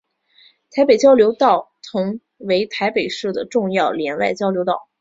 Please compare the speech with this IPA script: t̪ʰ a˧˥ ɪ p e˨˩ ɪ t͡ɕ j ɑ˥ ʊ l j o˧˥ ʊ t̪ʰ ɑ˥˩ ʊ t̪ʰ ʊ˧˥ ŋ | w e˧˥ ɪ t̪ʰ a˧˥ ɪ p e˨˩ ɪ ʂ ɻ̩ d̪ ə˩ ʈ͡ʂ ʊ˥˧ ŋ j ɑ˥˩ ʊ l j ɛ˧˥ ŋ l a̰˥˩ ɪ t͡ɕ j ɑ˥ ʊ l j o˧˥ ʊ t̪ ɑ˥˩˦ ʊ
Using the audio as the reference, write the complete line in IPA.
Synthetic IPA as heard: t̪ʰ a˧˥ ɪ p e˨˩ ɪ t͡ɕ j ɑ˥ ʊ l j o˧˥ ʊ t̪ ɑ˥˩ ʊ t̪ʰ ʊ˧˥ ŋ | w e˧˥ ɪ t̪ʰ a˧˥ ɪ p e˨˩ ɪ ʂ ɻ̩ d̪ ə˩ ʈ͡ʂ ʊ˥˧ ŋ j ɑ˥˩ ʊ l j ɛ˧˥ n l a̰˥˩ ɪ t͡ɕ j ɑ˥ ʊ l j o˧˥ ʊ t̪ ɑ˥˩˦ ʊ